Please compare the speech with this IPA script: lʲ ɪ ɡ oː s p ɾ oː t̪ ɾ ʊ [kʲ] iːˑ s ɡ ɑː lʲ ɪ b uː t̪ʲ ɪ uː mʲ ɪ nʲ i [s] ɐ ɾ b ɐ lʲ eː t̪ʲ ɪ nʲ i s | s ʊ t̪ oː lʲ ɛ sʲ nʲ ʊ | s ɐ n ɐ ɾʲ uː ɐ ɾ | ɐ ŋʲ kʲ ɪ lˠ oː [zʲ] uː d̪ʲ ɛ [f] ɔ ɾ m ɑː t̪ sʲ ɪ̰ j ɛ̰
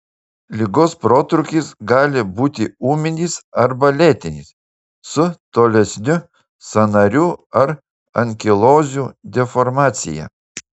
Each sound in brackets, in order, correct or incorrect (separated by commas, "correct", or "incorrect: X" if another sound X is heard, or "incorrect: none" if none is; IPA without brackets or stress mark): correct, correct, correct, correct